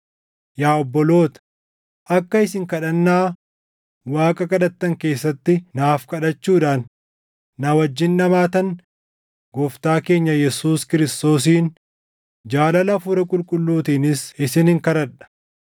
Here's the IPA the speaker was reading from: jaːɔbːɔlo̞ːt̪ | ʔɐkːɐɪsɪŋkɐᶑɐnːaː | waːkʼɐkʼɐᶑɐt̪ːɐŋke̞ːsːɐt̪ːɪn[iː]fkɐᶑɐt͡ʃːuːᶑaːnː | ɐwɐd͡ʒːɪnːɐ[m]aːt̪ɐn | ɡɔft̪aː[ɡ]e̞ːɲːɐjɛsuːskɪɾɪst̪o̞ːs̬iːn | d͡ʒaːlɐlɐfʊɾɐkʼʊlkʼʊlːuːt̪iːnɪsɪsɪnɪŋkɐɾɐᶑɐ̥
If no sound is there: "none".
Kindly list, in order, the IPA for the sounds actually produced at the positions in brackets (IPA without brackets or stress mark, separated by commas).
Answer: aː, m, k